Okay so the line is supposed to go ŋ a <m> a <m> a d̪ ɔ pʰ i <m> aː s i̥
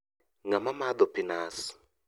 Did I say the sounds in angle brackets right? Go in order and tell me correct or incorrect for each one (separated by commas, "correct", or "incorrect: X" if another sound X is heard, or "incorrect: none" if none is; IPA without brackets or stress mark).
correct, correct, incorrect: n